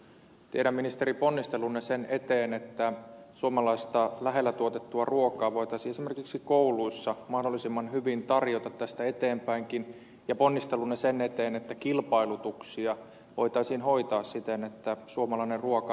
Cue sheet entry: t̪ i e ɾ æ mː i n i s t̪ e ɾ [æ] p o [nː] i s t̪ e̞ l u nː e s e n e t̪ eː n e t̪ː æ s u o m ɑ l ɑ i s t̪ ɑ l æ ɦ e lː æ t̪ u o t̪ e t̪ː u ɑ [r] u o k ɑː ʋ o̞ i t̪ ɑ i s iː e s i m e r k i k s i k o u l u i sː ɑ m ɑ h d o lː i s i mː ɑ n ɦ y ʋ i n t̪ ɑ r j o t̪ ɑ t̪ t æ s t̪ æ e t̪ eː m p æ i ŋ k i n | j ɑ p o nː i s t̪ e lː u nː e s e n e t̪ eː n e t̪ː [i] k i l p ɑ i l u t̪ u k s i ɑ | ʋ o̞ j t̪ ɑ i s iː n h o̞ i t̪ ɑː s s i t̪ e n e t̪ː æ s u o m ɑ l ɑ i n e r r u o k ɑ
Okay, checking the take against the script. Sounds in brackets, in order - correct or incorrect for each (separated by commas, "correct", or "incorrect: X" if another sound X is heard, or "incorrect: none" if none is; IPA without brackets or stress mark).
incorrect: i, correct, correct, incorrect: æ